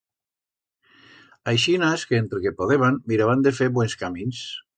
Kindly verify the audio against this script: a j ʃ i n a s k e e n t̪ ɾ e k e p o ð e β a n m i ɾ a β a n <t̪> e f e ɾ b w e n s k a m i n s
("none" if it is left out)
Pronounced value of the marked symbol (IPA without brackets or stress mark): d̪